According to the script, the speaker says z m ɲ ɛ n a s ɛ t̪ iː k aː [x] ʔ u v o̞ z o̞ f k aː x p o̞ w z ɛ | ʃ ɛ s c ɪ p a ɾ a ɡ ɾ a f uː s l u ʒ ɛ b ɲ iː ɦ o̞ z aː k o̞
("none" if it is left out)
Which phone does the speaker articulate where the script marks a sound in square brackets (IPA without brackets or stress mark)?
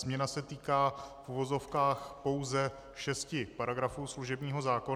f